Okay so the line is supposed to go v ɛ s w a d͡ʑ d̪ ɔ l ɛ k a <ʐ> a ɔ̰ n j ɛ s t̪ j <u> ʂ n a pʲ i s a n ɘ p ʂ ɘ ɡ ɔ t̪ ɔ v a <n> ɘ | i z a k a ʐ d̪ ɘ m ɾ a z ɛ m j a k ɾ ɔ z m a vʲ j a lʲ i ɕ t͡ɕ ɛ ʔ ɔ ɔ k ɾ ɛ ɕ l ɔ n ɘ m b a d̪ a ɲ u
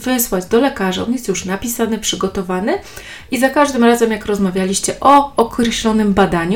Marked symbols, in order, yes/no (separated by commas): yes, yes, yes